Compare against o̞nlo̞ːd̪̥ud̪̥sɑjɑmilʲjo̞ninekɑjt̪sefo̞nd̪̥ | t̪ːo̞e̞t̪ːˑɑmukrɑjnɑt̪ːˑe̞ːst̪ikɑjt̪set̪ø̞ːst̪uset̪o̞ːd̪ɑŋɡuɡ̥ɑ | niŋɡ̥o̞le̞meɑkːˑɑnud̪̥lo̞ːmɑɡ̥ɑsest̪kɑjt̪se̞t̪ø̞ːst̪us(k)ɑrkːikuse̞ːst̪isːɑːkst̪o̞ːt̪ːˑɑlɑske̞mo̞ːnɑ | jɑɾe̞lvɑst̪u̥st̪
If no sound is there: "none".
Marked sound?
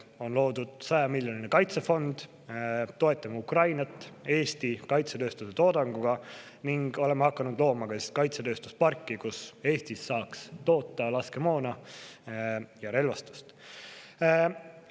p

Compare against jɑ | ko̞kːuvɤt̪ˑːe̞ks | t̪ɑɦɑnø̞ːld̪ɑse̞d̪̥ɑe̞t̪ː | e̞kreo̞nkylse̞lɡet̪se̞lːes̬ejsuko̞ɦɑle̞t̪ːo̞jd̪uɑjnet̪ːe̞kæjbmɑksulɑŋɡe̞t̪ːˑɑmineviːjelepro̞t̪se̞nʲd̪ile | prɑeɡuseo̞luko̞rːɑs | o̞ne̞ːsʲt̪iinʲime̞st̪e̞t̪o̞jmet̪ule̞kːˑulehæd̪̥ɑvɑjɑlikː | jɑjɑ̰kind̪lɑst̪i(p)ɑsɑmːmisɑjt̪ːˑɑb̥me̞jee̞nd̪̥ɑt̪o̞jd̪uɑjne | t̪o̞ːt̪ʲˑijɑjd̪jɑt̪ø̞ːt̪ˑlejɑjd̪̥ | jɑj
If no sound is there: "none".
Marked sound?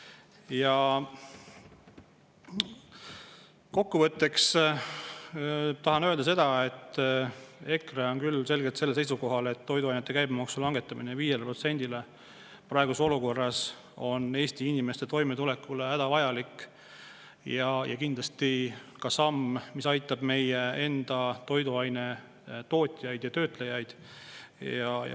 k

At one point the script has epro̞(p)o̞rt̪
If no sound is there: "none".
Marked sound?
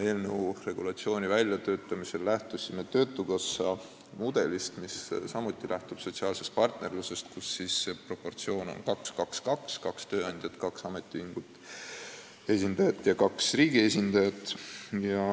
p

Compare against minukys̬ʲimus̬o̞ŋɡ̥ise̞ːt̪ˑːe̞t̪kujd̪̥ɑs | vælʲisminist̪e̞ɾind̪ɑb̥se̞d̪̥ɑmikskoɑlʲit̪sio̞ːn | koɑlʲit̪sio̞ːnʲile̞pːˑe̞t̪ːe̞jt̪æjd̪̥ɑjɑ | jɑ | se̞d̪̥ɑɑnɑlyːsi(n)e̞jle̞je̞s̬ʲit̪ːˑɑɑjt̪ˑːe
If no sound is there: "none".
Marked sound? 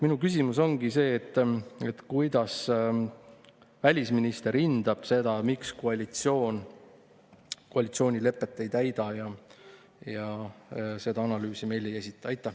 m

